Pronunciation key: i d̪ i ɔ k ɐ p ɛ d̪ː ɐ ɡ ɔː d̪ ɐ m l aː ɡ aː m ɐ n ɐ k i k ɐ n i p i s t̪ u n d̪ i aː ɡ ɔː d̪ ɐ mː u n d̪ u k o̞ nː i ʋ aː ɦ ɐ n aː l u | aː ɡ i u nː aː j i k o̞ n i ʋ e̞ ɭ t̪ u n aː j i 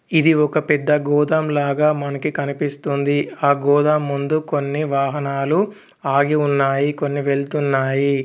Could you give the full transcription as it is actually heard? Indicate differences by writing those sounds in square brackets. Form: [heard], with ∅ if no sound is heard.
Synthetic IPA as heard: i d̪ i ɔ k ɐ p ɛ d̪ː ɐ ɡ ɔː d̪ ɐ m l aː ɡ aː m ɐ n ɐ k i k ɐ n i p i s t̪ u n d̪ i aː ɡ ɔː d̪ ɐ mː u n d̪ u k o̞ nː i ʋ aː ɦ ɐ n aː l u | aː ɡ i u nː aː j i k o̞ [nː] i ʋ e̞ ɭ t̪ u [nː] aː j i